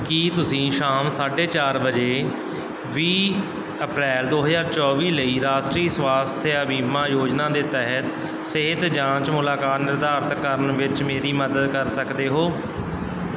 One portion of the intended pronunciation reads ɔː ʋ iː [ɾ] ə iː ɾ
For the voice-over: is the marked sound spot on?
no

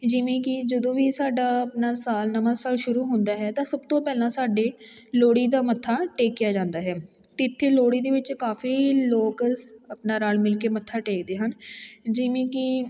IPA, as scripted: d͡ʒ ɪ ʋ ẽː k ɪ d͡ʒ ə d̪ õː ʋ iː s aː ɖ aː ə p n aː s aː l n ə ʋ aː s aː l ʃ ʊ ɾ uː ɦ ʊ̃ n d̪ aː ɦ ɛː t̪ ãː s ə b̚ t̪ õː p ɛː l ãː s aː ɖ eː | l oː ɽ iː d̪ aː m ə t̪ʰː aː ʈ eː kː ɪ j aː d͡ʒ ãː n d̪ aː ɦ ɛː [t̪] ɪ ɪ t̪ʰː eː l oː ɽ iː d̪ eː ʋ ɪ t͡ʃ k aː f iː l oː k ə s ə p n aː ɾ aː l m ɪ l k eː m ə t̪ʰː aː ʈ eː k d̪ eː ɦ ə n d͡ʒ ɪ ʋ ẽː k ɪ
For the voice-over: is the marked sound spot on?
yes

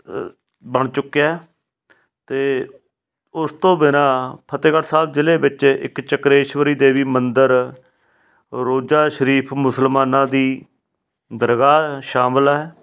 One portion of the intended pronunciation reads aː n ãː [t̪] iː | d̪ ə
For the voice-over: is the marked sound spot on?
no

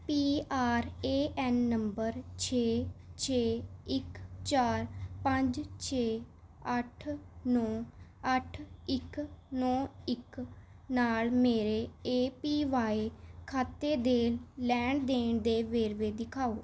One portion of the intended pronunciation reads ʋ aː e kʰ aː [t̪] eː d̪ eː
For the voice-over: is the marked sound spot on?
yes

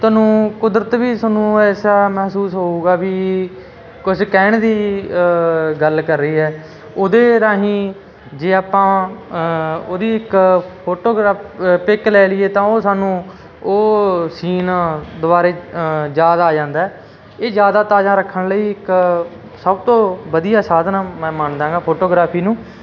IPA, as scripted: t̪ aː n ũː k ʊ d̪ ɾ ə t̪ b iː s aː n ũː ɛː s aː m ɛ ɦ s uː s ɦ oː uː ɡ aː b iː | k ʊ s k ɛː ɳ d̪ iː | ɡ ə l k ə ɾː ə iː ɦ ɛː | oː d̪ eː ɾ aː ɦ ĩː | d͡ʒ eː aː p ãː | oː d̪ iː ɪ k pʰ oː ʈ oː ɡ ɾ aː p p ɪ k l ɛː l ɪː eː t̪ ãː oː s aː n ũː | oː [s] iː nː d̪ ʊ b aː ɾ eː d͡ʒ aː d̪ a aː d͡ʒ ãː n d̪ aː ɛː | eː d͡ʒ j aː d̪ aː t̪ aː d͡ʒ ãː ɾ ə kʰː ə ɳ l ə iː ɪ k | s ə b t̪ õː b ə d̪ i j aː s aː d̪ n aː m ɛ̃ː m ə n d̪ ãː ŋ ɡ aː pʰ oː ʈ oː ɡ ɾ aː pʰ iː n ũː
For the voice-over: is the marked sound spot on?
yes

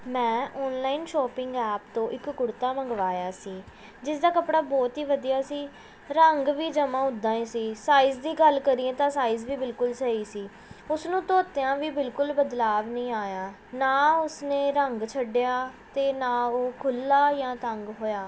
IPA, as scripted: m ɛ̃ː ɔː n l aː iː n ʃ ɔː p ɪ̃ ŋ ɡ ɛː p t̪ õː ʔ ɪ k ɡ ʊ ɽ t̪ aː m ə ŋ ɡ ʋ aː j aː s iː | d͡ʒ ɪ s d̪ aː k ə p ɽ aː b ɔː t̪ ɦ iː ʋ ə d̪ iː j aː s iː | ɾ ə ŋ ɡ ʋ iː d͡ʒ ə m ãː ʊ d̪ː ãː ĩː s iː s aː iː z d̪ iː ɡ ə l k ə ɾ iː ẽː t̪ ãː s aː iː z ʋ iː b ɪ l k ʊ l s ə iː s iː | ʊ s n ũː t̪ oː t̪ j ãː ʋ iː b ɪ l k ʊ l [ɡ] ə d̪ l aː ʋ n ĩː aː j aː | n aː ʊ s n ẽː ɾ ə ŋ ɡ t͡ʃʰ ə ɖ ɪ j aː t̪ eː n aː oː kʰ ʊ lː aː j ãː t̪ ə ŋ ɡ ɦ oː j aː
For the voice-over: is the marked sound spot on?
no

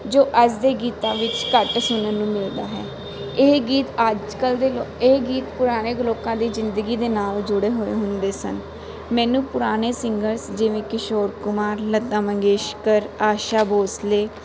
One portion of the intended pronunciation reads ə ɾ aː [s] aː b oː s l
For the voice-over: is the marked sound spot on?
no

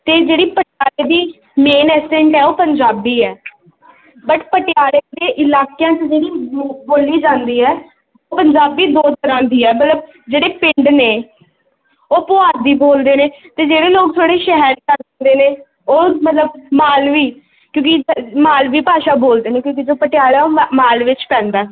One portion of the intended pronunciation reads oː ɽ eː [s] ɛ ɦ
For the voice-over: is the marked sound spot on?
no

